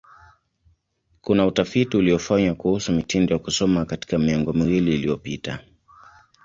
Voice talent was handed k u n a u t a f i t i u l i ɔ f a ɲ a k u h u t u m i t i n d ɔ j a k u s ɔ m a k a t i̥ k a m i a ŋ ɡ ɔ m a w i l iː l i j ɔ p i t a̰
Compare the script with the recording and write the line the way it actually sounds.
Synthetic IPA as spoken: k u n a u t a f i t i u l i ɔ f a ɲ a k u h u s u m i t i n d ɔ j a k u s ɔ m a k a t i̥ k a m i a ŋ ɡ ɔ m i w i l iː l i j ɔ p i t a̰